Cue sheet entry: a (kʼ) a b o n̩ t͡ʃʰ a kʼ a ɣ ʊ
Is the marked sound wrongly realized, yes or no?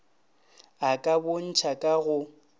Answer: no